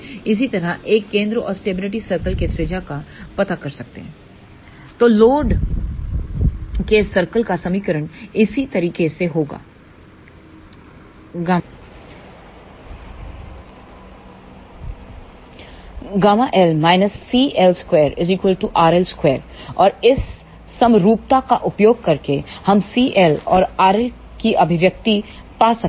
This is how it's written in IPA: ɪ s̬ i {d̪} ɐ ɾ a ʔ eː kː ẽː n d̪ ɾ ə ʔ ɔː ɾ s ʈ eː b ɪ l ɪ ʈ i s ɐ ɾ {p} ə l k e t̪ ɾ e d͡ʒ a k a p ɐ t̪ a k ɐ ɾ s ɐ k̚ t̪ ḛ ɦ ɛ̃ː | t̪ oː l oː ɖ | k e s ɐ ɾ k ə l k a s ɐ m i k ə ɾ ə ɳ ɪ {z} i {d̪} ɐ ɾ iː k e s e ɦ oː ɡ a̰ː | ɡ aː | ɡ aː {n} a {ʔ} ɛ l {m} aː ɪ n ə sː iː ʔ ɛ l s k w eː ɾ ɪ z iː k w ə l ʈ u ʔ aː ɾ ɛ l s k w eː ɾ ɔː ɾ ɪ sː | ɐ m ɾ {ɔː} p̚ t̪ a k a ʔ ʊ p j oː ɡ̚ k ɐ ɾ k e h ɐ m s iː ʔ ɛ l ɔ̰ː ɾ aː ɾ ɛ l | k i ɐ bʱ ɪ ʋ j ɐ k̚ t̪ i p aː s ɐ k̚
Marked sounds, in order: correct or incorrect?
incorrect: t̪, incorrect: k, incorrect: s, incorrect: t̪, incorrect: m, correct, correct, incorrect: uː

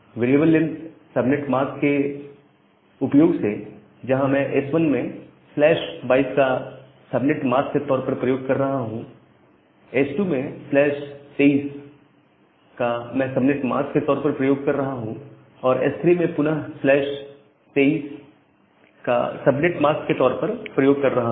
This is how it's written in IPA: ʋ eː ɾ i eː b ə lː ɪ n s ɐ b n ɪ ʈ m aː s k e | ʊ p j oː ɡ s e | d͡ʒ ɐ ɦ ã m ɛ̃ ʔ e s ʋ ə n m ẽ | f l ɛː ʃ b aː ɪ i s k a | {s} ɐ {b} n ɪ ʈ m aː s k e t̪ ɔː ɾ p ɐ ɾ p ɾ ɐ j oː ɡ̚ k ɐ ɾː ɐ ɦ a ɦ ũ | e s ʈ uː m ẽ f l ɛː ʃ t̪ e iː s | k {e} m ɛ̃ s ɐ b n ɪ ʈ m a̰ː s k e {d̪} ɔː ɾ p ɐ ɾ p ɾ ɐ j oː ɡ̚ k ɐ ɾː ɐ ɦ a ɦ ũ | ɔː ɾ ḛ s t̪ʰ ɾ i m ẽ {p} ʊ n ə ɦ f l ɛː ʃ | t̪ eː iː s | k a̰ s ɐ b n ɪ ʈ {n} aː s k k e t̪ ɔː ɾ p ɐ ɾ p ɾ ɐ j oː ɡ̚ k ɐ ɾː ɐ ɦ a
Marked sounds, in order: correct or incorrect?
correct, correct, incorrect: a, incorrect: t̪, correct, incorrect: m

